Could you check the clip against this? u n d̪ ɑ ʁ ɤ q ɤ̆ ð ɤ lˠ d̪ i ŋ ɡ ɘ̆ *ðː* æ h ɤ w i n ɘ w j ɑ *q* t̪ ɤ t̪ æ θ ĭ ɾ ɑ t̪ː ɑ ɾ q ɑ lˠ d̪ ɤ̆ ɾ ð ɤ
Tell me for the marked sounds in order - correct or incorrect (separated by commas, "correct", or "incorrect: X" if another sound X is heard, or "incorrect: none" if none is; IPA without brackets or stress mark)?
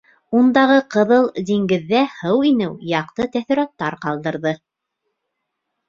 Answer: correct, correct